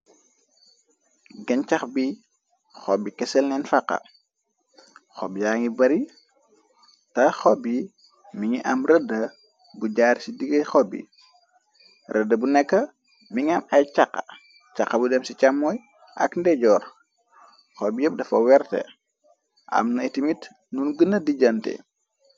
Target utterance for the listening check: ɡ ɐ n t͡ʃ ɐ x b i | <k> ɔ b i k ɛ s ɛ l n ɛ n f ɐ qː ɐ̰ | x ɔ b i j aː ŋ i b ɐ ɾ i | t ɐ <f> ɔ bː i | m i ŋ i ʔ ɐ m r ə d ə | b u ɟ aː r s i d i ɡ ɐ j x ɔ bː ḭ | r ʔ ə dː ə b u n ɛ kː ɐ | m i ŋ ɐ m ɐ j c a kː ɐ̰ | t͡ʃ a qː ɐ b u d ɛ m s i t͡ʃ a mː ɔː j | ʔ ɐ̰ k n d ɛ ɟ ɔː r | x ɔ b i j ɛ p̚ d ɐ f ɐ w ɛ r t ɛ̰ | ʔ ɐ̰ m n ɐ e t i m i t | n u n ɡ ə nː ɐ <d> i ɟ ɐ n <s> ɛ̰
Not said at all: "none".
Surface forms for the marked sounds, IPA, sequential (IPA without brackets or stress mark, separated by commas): x, x, d, t